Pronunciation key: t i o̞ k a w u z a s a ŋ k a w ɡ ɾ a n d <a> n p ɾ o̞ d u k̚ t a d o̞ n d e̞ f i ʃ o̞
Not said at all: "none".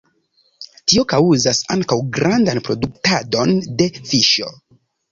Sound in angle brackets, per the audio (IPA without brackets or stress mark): a